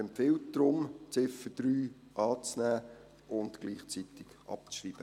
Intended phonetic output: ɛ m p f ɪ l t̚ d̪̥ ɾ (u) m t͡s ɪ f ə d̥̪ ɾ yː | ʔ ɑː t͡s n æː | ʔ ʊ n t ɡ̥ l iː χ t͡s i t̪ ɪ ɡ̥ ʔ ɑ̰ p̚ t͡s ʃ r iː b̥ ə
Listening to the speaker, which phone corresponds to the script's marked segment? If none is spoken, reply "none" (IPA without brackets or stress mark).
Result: ʊ